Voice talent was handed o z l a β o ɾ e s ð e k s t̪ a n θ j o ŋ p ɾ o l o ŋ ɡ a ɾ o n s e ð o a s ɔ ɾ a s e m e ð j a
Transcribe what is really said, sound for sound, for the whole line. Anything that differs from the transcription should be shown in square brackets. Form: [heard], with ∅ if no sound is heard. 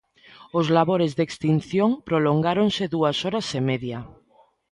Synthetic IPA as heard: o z l a β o ɾ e [z] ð e k s t̪ [i] n θ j o ŋ p ɾ o l o ŋ ɡ a ɾ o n s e ð [u] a s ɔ ɾ a s e m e ð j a